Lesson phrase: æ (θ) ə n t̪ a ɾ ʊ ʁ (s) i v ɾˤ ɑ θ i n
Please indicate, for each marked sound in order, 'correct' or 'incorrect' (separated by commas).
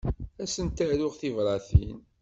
incorrect, incorrect